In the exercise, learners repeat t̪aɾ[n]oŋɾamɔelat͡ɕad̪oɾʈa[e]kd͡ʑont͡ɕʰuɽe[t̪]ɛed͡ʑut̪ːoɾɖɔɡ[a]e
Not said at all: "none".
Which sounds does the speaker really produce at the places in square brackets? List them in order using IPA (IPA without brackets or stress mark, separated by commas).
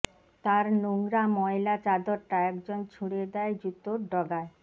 n, ɛ, d̪, a